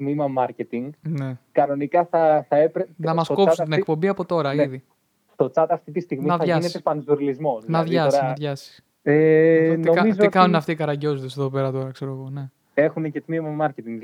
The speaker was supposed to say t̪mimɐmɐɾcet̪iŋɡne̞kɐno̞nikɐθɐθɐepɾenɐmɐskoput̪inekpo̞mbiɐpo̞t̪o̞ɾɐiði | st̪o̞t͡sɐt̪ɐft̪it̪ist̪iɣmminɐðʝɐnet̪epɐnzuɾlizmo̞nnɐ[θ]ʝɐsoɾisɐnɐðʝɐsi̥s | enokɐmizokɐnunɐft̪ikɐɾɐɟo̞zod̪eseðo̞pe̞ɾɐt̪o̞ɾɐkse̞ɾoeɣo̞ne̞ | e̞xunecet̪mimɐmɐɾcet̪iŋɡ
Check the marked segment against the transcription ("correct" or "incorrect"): incorrect